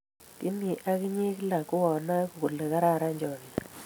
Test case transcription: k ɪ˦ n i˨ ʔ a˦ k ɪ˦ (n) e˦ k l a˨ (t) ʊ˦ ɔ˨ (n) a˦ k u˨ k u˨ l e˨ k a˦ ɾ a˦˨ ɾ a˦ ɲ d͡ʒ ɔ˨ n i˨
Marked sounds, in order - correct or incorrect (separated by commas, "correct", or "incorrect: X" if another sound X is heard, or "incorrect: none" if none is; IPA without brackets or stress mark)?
incorrect: ɲ, incorrect: k, correct